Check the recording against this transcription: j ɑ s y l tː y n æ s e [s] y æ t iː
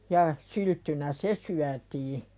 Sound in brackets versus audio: correct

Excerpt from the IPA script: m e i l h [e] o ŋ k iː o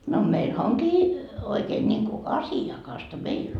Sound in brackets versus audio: incorrect: æ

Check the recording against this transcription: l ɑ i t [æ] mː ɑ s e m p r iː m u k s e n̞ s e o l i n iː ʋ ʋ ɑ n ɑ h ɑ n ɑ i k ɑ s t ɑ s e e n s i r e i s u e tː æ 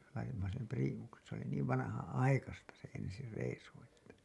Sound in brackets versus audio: incorrect: i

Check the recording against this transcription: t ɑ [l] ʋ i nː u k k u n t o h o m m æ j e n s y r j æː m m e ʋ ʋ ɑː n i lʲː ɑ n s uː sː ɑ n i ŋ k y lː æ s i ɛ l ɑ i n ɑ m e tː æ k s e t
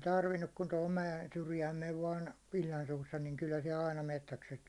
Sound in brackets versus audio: incorrect: r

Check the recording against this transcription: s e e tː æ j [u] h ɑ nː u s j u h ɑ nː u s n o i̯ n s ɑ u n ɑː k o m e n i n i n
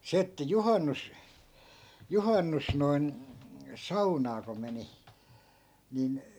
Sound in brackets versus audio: correct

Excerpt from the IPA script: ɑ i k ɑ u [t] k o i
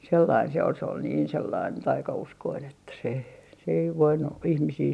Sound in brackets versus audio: incorrect: s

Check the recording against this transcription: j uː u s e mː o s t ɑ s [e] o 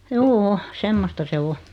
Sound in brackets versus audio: correct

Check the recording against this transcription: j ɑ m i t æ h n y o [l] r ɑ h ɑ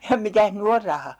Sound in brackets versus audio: incorrect: r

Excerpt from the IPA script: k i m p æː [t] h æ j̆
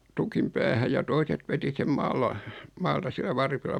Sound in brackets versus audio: incorrect: none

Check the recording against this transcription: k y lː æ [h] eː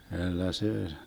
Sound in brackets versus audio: incorrect: s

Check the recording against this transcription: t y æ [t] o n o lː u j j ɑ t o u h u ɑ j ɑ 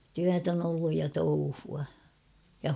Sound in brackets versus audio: correct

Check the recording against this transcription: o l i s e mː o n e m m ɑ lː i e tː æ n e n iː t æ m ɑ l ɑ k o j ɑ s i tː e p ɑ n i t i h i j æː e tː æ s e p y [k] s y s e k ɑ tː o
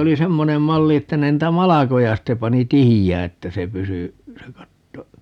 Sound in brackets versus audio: incorrect: none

